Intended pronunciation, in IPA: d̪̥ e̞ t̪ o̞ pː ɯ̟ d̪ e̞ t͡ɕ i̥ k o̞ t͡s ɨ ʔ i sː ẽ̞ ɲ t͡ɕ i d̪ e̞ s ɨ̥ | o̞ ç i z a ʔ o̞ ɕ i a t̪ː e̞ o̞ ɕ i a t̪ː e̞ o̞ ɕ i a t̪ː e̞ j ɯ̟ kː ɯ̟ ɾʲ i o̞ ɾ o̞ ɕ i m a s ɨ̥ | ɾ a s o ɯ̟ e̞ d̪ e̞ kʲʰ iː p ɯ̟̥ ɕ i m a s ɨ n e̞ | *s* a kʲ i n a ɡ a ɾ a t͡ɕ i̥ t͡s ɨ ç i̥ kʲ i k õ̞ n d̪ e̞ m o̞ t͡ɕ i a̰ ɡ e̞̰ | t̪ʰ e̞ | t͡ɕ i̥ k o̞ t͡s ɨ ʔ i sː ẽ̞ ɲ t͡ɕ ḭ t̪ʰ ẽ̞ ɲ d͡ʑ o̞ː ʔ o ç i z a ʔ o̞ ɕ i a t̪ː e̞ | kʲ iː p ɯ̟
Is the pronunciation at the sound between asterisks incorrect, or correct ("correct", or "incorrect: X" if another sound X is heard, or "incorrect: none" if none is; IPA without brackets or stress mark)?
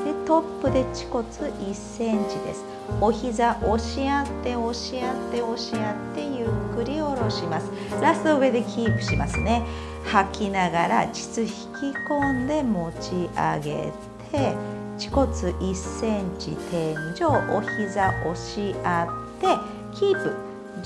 incorrect: h